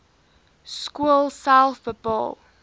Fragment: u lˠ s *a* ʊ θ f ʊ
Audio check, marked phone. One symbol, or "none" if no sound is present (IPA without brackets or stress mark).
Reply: a